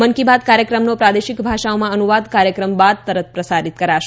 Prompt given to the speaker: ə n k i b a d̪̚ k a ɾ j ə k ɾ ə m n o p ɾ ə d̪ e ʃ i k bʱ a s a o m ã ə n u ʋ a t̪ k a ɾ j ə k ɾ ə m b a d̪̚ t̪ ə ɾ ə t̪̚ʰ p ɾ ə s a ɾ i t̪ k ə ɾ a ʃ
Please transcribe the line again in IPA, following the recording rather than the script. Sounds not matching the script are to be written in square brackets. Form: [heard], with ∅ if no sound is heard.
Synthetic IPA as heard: ə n k i b a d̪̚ k a ɾ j ə k ɾ ə m n o p ɾ [a] d̪ e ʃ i k bʱ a [ʃ] a o m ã ə n u ʋ a [d̪] k a ɾ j ə k ɾ ə m b a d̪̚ t̪ ə ɾ ə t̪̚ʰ p ɾ ə s a ɾ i t̪ k ə ɾ a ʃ